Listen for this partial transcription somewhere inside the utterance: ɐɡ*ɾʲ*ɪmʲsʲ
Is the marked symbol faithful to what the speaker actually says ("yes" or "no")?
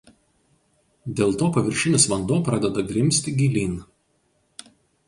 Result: yes